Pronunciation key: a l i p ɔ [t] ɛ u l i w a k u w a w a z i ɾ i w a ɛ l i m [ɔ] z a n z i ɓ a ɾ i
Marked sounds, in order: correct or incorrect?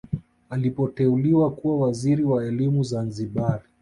correct, incorrect: u

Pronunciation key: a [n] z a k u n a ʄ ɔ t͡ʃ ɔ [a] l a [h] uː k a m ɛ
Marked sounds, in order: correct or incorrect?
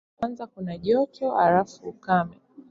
correct, correct, incorrect: f

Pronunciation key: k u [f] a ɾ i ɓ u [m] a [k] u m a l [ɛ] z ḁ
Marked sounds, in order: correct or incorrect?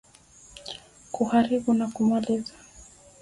incorrect: h, incorrect: n, correct, incorrect: i

